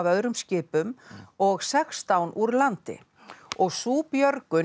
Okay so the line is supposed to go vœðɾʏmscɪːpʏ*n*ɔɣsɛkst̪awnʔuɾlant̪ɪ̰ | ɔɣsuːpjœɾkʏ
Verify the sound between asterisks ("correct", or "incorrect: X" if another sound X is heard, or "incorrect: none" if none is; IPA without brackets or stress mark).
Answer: incorrect: m